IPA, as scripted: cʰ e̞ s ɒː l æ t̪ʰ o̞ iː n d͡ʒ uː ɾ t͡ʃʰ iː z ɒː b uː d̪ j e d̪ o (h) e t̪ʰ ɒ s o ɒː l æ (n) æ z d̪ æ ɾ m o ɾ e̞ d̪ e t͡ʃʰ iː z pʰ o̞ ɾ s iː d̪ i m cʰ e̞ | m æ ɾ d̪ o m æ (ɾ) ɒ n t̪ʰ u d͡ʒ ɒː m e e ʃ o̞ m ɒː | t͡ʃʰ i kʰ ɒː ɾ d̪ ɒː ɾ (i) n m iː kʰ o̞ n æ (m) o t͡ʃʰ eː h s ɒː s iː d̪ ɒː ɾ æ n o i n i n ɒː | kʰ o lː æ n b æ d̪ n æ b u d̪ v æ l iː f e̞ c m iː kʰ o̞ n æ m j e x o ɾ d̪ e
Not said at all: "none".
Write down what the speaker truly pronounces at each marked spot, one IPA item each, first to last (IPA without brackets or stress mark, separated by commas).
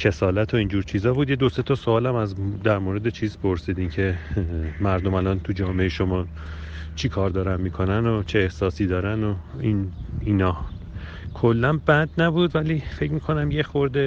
s, m, l, æ, n